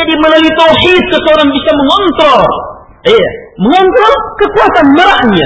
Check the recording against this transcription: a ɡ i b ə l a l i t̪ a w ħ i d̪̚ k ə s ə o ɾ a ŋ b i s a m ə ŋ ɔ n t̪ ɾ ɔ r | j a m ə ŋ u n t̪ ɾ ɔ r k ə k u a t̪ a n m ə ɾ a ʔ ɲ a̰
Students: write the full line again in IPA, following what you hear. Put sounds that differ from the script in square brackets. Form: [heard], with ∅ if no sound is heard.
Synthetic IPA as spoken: a [d] i [m] ə l a l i t̪ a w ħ i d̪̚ k ə s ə o ɾ a ŋ b i s a m ə ŋ ɔ n t̪ ɾ ɔ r | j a m ə ŋ [ɔ] n t̪ ɾ ɔ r k ə k u a t̪ a n m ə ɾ a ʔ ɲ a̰